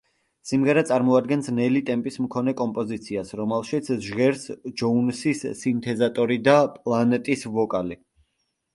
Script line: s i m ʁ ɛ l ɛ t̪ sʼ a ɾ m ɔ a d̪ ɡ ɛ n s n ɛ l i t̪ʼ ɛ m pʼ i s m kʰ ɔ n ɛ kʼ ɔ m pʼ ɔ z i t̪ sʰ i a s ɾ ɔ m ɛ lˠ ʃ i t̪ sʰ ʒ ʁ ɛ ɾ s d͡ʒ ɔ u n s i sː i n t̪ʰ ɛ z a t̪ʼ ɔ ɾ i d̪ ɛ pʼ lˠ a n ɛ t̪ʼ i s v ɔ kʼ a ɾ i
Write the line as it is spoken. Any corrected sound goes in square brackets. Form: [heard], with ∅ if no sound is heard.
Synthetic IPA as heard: s i m ʁ ɛ [ɾ] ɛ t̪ sʼ a ɾ m ɔ a d̪ ɡ ɛ n s n ɛ l i t̪ʼ ɛ m pʼ i s m kʰ ɔ n ɛ kʼ ɔ m pʼ ɔ z i t̪ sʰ i a s ɾ ɔ m ɛ lˠ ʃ i t̪ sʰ ʒ ʁ ɛ ɾ s d͡ʒ ɔ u n s i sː i n t̪ʰ ɛ z a t̪ʼ ɔ ɾ i d̪ [a] pʼ lˠ a n ɛ t̪ʼ i s v ɔ kʼ a [l] i